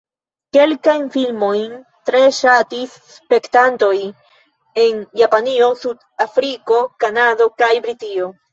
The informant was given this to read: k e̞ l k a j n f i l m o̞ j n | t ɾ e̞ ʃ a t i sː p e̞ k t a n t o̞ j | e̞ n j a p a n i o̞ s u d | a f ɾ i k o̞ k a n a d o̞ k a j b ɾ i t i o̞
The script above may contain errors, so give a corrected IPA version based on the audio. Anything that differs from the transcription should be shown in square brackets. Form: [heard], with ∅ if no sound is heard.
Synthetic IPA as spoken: k e̞ l k a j n f i l m o̞ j n | t ɾ e̞ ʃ a t i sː p e̞ k t a n t o̞ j | e̞ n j a p a n i o̞ s u d | a f ɾ i k o̞ k a n a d o̞ k a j b ɾ i t i o̞